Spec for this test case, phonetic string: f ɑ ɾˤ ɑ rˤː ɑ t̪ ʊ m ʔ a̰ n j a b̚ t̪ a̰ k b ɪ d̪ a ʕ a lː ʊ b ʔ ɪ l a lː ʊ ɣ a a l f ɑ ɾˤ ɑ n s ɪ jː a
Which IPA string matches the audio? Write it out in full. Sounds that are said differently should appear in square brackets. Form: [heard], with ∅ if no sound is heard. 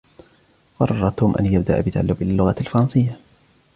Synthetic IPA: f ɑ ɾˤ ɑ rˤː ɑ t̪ ʊ m ʔ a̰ n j a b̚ [d̪] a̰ [ʔ] b ɪ [t̪] a ʕ a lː ʊ b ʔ ɪ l a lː ʊ ɣ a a l f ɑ ɾˤ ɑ n s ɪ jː a